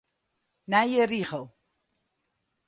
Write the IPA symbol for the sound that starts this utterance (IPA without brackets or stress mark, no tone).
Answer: n